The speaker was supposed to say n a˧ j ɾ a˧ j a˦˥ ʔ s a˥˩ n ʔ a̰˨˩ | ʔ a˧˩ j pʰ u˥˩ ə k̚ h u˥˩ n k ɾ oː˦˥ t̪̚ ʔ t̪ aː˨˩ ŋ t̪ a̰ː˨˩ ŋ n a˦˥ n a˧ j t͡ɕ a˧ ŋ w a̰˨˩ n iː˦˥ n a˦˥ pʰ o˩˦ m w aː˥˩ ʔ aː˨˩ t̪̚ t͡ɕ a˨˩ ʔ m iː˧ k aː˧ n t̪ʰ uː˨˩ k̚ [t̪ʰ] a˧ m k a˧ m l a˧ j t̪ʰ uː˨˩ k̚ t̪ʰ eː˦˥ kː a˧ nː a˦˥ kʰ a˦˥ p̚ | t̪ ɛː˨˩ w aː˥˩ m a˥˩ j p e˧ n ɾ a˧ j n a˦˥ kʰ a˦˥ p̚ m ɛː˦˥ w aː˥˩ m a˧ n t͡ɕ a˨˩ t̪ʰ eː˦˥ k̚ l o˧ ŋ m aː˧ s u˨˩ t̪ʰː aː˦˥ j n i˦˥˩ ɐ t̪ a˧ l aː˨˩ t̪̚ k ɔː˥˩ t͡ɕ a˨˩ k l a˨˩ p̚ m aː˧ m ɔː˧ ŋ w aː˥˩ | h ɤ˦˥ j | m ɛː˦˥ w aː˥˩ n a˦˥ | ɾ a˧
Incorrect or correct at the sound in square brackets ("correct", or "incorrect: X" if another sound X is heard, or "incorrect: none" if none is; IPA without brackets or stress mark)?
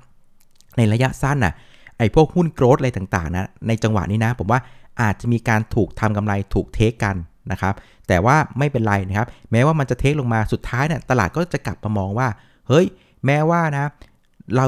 correct